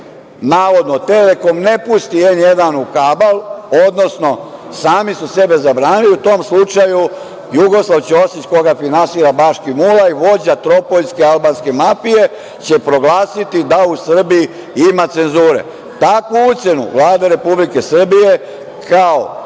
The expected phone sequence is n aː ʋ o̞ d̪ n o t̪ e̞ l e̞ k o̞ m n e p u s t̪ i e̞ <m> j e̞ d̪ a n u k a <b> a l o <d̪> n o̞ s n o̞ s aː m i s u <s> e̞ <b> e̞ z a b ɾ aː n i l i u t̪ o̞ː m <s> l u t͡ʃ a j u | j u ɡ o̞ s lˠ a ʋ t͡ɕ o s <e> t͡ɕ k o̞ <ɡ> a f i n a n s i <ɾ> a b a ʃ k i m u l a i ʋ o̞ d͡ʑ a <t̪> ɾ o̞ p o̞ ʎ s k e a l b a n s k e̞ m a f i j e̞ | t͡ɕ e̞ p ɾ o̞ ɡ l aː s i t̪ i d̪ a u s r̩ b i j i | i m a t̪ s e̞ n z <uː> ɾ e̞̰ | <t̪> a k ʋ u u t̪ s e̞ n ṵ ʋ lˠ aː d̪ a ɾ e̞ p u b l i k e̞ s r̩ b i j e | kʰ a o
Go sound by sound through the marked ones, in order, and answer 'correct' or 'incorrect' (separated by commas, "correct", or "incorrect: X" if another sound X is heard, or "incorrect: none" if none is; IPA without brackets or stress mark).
incorrect: n, correct, correct, correct, correct, correct, incorrect: i, correct, correct, correct, correct, correct